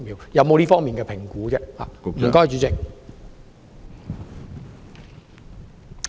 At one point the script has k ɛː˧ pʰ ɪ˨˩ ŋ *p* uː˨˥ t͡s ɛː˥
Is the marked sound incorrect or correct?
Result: incorrect: k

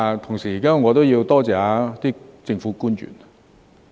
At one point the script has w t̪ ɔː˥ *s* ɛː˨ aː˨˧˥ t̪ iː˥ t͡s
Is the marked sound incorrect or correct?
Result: incorrect: t͡s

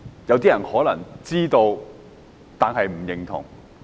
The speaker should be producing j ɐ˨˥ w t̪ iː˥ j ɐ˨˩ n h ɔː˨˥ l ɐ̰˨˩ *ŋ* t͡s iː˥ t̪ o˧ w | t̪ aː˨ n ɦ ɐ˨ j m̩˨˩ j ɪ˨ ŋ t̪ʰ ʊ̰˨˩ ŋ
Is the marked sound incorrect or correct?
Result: correct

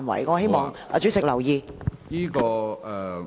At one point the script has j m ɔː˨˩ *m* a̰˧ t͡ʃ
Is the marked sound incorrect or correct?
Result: incorrect: ŋ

